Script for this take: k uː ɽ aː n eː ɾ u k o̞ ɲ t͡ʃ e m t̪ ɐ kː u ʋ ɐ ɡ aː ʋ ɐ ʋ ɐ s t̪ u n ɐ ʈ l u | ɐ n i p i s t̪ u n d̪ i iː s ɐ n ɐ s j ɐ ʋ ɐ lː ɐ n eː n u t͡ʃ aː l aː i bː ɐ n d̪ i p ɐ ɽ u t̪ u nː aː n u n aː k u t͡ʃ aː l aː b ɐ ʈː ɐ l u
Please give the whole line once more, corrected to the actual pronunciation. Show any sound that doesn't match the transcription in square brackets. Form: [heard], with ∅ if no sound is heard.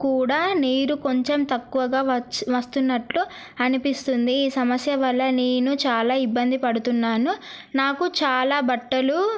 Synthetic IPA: k uː ɽ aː n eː ɾ u k o̞ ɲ t͡ʃ e m t̪ ɐ kː u ʋ ɐ ɡ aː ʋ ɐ ʋ ɐ s t̪ u [nː] ɐ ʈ l u | ɐ n i p i s t̪ u n d̪ i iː s ɐ [m] ɐ s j ɐ ʋ ɐ lː ɐ n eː n u t͡ʃ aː l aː i bː ɐ n d̪ i p ɐ ɽ u t̪ u nː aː n u n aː k u t͡ʃ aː l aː b ɐ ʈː ɐ l u